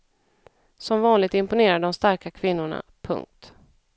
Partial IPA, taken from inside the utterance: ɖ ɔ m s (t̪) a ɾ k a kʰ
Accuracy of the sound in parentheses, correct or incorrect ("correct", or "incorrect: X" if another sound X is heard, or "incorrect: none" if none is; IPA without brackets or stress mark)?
correct